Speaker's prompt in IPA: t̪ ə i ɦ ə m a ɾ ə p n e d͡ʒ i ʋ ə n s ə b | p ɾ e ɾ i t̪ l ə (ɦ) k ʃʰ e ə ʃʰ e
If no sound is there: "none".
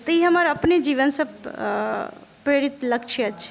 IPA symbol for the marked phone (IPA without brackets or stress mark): none